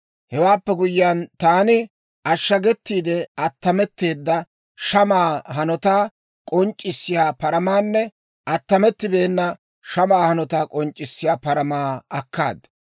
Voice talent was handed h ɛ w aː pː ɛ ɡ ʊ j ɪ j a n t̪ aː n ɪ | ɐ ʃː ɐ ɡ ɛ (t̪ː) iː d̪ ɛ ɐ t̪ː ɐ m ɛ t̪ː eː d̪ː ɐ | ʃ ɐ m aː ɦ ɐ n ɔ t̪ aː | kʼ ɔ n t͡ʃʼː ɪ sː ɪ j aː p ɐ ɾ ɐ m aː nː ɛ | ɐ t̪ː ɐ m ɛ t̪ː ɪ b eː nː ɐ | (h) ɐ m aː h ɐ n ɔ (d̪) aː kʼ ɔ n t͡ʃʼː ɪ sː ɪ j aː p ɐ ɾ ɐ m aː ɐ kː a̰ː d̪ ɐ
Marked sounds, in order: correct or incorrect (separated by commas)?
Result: correct, incorrect, incorrect